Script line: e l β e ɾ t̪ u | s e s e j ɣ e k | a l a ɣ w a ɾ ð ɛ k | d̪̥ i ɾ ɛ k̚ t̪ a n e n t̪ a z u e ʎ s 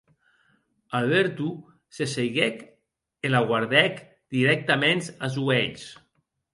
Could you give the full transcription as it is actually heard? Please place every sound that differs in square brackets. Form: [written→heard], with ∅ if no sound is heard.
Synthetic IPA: [e→a] l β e ɾ t̪ u | s e s e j ɣ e k | [a→e] l a ɣ w a ɾ ð ɛ k | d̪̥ i ɾ ɛ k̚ t̪ a [n→m] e n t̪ a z u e ʎ s